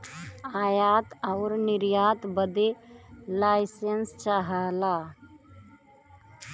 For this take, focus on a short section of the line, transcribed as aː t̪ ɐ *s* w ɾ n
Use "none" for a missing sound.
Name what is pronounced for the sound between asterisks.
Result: none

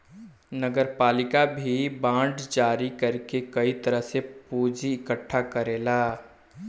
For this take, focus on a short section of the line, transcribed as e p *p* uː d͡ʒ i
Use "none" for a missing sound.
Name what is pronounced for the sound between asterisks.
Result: p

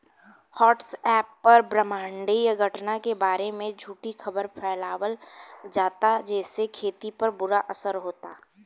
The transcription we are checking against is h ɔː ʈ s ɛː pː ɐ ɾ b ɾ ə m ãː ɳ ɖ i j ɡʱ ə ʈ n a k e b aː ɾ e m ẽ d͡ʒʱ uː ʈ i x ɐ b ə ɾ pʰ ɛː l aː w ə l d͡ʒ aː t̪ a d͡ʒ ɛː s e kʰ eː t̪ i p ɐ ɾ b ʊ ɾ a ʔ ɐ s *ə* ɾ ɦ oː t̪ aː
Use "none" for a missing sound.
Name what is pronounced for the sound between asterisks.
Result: ə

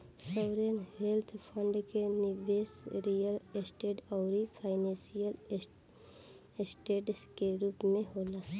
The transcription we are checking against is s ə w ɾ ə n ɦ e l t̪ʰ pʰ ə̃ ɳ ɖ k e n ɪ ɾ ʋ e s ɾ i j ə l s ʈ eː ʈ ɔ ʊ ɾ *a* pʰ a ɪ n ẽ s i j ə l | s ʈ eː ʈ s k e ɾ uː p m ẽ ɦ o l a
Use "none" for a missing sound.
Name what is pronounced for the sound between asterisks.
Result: i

